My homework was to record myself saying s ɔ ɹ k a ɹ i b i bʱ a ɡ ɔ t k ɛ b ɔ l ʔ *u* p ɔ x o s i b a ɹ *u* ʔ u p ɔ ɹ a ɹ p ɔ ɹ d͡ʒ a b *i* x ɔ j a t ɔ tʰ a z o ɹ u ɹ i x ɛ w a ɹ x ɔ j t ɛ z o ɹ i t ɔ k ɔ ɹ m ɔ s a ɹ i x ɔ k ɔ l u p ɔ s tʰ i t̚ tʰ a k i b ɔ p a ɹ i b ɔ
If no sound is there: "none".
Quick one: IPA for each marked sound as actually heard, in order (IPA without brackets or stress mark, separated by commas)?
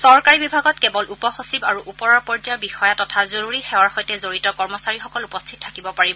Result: u, u, i